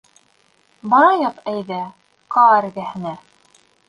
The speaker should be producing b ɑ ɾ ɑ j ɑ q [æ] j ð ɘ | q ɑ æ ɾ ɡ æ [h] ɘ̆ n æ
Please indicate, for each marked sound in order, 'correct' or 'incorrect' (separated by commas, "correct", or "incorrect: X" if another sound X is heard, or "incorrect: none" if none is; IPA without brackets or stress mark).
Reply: correct, correct